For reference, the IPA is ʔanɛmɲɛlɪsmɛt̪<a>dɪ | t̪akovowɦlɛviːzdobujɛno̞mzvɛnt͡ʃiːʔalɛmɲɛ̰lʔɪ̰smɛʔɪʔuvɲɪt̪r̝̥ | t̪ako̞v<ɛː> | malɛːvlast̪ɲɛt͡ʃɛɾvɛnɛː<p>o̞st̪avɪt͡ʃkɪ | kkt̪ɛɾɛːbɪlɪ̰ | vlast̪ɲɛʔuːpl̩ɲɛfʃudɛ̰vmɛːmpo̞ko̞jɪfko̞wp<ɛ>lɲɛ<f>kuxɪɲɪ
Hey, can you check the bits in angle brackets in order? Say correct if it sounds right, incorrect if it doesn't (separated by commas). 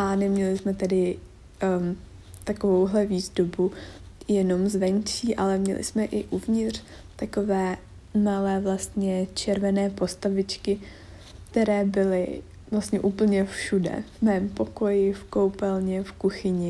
incorrect, correct, correct, correct, correct